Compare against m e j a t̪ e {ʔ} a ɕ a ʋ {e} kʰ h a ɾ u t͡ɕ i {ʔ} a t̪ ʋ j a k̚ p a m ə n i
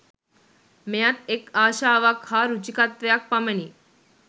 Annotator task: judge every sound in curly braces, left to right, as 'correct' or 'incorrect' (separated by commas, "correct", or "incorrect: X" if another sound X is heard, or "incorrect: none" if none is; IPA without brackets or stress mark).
incorrect: k, incorrect: a, incorrect: k